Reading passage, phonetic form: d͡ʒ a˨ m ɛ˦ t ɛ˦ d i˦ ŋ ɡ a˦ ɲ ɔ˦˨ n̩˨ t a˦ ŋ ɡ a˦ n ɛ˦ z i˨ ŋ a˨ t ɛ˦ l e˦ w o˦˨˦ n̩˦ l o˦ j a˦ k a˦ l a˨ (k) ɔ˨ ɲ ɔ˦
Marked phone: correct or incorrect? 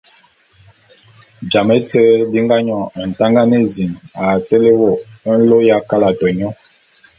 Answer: incorrect